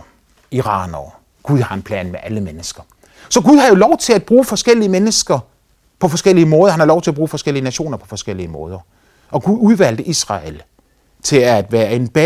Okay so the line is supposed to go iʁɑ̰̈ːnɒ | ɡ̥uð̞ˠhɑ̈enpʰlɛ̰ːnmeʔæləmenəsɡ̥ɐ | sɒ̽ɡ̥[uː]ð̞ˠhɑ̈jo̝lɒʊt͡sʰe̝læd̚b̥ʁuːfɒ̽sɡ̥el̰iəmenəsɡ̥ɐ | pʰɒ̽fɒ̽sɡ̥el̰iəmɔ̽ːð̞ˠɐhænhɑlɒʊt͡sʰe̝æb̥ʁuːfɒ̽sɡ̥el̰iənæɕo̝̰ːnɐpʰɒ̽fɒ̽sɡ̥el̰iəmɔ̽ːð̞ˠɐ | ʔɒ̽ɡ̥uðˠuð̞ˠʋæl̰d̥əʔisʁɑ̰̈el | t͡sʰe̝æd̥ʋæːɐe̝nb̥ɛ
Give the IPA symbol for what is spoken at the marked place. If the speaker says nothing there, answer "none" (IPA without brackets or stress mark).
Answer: u